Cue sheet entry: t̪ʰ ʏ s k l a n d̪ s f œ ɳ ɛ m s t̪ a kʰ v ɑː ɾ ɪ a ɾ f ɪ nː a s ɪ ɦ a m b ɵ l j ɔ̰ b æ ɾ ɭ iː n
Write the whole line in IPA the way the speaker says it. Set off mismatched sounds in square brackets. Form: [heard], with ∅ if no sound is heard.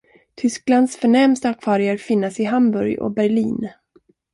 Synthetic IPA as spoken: t̪ʰ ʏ s k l a n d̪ s f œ ɳ ɛ m s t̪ a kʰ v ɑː ɾ ɪ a ɾ f ɪ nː a s ɪ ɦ a m b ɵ [ɾ] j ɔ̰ b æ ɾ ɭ iː n